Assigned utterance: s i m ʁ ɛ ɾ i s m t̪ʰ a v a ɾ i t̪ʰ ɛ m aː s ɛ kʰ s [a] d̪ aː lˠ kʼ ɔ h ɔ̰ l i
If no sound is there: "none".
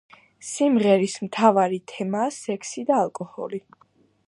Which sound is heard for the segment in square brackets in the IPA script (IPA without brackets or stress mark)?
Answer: i